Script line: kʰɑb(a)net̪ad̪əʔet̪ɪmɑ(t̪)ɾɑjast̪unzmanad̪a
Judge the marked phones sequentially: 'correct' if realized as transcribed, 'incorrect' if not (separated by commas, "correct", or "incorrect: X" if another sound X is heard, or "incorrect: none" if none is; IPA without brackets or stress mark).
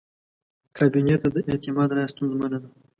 incorrect: i, incorrect: d̪